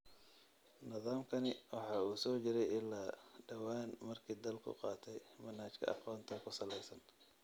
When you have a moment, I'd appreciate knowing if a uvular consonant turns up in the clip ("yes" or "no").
yes